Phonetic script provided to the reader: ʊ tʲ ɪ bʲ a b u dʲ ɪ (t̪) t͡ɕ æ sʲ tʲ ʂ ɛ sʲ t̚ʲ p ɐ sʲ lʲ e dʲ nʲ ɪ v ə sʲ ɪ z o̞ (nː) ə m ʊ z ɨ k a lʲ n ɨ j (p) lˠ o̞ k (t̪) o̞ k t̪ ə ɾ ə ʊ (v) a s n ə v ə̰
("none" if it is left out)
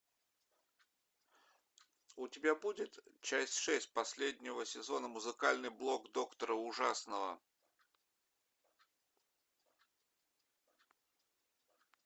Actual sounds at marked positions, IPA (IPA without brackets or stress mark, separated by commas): t̪, n, b, d̪, ʐ